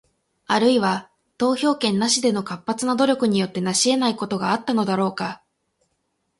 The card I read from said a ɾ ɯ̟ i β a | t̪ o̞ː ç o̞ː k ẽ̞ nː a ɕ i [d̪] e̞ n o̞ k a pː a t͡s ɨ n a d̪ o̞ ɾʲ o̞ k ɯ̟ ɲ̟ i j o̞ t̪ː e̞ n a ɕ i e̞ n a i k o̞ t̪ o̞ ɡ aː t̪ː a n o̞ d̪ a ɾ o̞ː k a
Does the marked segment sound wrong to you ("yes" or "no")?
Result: no